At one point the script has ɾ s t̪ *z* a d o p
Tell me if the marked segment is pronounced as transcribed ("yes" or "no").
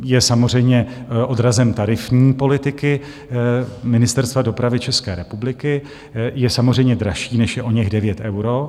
no